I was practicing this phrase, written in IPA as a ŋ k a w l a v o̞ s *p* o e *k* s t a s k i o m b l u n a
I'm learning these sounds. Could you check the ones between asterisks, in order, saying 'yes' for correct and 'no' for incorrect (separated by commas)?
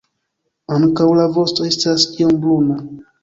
no, no